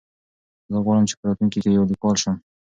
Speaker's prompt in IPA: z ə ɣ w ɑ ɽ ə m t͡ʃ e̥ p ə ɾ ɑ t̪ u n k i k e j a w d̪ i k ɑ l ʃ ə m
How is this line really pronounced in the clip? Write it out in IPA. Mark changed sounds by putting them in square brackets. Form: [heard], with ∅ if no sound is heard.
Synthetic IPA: z ə ɣ w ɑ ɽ ə m t͡ʃ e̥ p ə ɾ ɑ t̪ u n k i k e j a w d̪ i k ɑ l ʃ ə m